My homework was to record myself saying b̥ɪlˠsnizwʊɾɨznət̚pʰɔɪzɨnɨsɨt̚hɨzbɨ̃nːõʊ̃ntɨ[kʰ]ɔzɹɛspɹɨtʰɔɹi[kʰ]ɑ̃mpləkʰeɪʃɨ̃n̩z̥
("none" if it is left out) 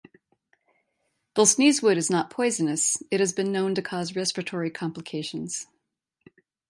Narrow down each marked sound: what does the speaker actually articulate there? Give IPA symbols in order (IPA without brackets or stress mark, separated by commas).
kʰ, kʰ